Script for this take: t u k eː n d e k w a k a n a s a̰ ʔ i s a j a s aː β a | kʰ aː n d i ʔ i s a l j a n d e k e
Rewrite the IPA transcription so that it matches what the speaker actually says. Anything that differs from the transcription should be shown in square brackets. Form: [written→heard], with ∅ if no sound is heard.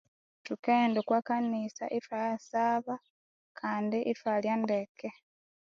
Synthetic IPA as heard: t u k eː n d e k w a k a n [a→i] s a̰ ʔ i [s→f] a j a s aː β a | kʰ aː n d i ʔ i [s→f] a l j a n d e k e